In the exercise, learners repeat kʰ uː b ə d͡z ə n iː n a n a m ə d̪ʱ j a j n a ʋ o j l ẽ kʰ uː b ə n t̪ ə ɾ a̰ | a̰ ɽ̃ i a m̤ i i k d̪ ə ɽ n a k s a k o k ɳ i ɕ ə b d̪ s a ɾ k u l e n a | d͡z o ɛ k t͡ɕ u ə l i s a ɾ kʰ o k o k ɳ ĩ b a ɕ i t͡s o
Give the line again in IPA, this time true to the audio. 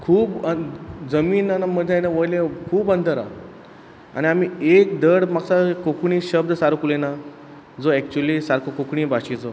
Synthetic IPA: kʰ uː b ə d͡z ə m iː n a n a m ə d̪ʱ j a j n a ʋ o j l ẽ kʰ uː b ə n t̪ ə ɾ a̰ | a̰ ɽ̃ i a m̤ i e k d̪ ə ɽ m a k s a k o k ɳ i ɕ ə b d̪ s a ɾ k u l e n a | d͡z o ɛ k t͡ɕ u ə l i s a ɾ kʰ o k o k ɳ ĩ b a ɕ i t͡s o